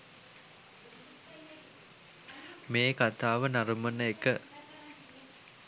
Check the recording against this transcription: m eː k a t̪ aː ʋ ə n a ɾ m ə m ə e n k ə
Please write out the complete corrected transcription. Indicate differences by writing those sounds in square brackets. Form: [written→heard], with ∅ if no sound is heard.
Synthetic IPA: m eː k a t̪ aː ʋ ə n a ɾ m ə [m→n] ə e [n→∅] k ə